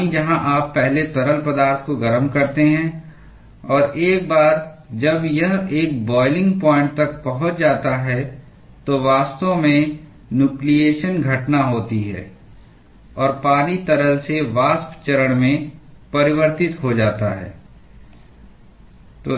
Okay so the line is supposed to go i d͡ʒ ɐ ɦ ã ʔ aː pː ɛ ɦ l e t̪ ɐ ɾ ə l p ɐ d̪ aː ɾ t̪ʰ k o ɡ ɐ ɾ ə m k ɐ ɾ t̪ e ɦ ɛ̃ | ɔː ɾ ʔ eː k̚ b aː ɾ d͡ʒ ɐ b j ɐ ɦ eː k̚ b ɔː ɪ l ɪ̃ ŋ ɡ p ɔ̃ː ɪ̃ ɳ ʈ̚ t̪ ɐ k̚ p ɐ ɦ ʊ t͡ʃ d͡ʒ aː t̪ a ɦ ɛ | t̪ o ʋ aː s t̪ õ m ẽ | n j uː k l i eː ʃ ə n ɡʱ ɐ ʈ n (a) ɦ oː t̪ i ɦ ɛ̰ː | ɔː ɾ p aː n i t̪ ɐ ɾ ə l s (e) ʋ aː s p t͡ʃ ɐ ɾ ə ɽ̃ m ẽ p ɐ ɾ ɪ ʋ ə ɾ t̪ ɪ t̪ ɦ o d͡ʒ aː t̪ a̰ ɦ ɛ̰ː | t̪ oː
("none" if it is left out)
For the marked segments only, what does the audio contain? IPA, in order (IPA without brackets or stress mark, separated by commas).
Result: a, e